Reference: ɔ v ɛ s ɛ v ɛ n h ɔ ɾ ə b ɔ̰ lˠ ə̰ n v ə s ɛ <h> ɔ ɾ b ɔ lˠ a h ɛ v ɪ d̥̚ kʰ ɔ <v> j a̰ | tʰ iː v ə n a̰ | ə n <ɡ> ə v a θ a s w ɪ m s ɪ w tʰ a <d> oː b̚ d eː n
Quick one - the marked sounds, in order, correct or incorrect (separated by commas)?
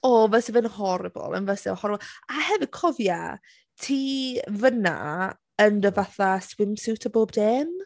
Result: correct, correct, incorrect, incorrect